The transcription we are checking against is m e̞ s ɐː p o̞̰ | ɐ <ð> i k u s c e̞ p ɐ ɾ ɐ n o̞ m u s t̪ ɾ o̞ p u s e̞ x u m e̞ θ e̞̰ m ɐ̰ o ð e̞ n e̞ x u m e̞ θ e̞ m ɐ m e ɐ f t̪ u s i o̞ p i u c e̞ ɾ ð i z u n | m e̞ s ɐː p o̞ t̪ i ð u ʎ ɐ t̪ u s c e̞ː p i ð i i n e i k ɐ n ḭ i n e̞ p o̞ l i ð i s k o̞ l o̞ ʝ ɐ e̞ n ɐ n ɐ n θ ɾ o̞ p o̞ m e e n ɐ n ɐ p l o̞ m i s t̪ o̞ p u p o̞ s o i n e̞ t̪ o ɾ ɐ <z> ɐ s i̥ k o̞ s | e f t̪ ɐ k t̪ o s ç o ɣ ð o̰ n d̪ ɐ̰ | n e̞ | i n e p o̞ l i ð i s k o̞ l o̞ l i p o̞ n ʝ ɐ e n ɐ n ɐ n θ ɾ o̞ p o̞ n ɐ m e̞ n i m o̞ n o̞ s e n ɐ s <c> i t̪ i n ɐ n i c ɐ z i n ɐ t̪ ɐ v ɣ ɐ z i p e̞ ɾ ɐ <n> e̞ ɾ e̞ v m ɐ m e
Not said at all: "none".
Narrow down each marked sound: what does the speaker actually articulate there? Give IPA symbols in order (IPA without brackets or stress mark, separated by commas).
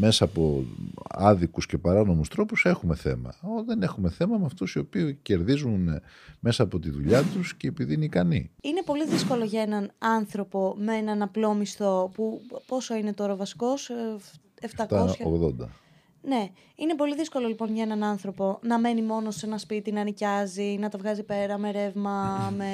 ð, v, p, m